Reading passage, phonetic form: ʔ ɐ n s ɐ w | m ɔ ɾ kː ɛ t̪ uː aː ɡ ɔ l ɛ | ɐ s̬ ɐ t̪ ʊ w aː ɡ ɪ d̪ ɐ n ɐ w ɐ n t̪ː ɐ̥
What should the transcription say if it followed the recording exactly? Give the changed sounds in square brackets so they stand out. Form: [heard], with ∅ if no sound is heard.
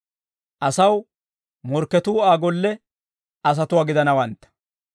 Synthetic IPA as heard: ʔ ɐ [∅] s ɐ w | m ɔ ɾ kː ɛ t̪ uː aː ɡ ɔ [lː] ɛ | ɐ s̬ ɐ t̪ ʊ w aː ɡ ɪ d̪ ɐ n ɐ w ɐ n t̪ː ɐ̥